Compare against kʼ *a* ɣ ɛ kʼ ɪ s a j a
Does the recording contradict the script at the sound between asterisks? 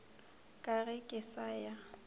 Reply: no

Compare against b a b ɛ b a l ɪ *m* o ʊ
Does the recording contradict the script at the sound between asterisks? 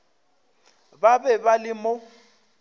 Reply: no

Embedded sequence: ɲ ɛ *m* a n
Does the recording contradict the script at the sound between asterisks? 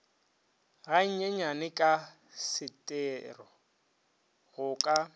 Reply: yes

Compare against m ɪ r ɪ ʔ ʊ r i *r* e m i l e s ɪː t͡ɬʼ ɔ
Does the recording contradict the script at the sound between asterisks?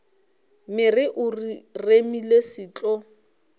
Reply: no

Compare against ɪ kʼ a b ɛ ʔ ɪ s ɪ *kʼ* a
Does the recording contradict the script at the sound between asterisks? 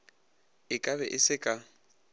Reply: no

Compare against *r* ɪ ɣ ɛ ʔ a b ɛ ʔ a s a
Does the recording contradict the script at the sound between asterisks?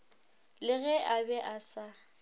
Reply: yes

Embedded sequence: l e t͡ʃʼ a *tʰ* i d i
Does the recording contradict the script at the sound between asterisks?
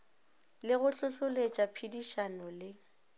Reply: yes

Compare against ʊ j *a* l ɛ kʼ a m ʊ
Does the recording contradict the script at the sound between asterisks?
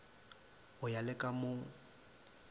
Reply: no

